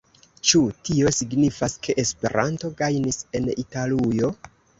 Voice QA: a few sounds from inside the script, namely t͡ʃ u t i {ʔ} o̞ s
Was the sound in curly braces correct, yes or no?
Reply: no